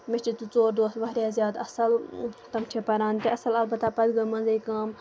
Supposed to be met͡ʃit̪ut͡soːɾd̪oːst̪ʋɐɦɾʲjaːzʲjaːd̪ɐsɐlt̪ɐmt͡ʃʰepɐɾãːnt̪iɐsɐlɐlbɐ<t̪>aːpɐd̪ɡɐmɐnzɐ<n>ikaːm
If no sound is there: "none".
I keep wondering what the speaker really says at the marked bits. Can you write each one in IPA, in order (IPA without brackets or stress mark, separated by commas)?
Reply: t̪, none